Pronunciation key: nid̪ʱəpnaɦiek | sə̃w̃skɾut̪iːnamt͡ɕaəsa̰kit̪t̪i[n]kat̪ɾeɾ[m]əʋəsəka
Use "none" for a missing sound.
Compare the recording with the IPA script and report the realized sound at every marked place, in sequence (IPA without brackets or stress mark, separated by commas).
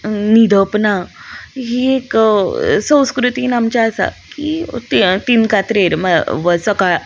n, m